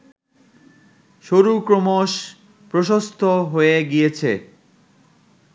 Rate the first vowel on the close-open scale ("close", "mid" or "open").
mid